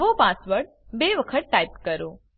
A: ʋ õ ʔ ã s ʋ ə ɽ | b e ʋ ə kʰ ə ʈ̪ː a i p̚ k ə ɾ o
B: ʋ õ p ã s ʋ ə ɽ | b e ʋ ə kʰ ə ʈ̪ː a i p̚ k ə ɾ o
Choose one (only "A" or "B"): B